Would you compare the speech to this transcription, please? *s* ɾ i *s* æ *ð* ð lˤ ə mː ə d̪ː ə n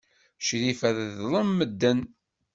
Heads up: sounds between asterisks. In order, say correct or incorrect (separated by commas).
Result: incorrect, incorrect, correct